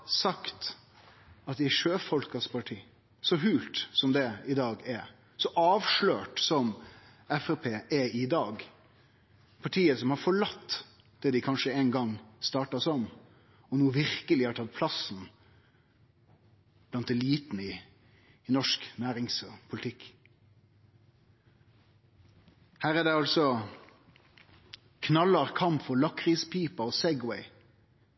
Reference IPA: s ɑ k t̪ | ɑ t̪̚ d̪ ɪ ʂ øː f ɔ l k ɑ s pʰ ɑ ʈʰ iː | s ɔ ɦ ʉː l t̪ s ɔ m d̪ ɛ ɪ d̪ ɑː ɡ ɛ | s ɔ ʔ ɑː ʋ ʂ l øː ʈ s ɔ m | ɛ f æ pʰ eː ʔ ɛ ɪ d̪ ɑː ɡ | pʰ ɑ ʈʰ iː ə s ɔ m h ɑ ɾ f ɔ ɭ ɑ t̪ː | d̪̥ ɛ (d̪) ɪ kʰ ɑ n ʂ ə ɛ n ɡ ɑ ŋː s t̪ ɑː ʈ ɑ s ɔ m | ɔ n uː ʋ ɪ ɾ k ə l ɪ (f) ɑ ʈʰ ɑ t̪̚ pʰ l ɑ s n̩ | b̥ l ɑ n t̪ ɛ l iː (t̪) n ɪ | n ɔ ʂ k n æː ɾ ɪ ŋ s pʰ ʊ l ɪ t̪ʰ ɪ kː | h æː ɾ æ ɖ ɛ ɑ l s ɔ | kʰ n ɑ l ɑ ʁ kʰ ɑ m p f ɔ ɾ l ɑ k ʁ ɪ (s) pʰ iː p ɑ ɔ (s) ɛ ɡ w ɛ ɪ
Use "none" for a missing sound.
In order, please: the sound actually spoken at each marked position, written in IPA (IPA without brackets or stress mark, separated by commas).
d̪, h, t̪, s, s